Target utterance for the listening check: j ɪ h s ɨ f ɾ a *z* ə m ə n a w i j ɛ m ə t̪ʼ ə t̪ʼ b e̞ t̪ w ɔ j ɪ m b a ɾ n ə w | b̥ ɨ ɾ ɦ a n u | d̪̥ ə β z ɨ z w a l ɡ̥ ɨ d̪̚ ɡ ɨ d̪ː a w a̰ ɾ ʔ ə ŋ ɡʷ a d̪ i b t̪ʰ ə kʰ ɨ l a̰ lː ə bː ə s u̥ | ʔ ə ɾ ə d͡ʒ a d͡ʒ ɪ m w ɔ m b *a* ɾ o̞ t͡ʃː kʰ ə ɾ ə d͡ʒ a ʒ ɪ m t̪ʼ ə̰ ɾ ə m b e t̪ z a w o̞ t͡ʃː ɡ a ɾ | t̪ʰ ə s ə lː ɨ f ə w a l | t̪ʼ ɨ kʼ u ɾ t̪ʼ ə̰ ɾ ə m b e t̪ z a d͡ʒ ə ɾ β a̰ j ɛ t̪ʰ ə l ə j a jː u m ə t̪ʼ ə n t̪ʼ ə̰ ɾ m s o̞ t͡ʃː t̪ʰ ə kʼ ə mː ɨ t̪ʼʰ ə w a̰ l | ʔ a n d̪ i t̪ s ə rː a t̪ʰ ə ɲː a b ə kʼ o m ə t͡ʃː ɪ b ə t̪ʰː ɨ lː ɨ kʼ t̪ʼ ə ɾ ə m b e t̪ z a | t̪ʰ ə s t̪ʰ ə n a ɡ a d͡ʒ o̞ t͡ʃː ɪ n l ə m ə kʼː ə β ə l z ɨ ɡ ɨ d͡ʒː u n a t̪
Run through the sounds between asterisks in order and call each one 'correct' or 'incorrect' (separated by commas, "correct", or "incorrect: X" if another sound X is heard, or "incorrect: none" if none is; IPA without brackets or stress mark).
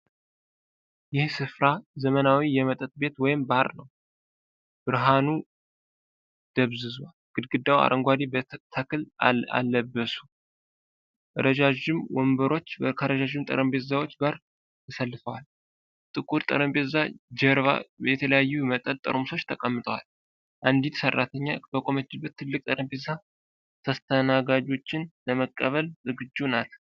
correct, incorrect: ə